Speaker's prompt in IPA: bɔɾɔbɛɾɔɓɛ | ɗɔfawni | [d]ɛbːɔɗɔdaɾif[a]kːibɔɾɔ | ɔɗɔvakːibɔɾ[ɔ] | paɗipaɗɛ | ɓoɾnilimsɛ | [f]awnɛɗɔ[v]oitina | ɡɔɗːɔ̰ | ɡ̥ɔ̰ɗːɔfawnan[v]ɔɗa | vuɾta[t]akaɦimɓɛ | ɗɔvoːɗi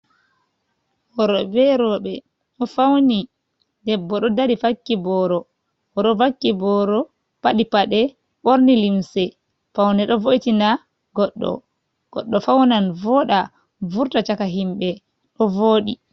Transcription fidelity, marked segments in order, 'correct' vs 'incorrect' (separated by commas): correct, correct, correct, correct, correct, correct, incorrect